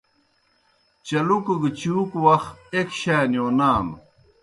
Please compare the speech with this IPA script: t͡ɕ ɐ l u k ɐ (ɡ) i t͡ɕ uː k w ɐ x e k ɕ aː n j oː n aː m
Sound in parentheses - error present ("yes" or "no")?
no